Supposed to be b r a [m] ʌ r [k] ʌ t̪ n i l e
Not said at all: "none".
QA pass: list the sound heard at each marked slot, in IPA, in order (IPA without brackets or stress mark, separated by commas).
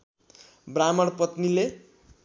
m, p